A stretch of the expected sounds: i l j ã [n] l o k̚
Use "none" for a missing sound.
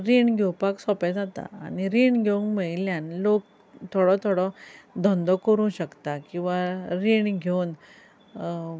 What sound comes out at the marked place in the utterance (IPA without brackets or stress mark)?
n